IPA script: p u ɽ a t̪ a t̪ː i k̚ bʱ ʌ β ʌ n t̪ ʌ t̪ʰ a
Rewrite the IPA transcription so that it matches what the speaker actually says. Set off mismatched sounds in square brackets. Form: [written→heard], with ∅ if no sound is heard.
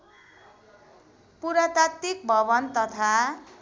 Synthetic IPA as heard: p u [ɽ→ɾ] a t̪ a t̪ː i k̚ bʱ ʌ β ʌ n t̪ ʌ t̪ʰ a